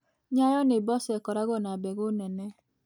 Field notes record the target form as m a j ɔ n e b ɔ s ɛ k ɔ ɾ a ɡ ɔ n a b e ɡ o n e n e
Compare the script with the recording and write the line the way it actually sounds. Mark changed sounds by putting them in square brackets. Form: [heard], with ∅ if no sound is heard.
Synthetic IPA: [ɲ] a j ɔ n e b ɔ s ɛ k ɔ ɾ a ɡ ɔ n a b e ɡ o n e n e